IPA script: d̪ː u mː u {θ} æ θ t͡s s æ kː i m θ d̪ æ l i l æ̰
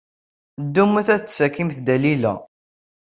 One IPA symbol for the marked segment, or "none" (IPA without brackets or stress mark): θ